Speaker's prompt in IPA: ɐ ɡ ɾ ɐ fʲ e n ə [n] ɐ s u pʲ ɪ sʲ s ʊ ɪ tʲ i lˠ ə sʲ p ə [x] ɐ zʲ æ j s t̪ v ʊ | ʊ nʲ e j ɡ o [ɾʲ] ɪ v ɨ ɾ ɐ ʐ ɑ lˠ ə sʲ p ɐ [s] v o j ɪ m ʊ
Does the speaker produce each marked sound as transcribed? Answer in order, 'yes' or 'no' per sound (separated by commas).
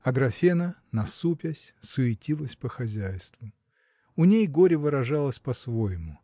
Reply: yes, yes, yes, yes